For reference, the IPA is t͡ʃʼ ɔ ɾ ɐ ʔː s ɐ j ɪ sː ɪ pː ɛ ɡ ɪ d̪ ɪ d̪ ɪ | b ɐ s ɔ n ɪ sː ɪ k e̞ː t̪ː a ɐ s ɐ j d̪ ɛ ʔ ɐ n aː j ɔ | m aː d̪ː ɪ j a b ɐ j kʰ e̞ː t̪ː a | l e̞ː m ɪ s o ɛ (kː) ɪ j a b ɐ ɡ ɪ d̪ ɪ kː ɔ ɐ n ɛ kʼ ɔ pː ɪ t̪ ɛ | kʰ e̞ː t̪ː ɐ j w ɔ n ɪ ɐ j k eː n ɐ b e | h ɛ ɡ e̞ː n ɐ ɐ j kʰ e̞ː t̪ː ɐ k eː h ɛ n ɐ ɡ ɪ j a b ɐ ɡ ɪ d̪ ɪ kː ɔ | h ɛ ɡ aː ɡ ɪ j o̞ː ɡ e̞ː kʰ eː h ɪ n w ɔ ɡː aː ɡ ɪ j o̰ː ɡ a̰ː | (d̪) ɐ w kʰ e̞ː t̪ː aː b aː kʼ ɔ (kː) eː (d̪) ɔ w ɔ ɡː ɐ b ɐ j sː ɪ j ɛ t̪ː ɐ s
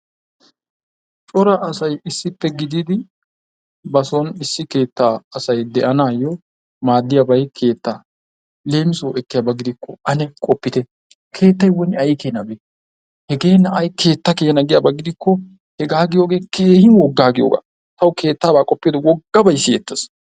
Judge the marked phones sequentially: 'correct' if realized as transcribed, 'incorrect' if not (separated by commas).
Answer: correct, incorrect, incorrect, correct